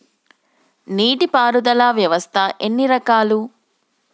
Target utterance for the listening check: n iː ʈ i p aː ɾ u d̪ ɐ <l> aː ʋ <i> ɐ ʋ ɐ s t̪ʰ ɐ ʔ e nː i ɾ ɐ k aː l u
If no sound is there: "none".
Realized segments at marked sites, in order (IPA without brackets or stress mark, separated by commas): l, j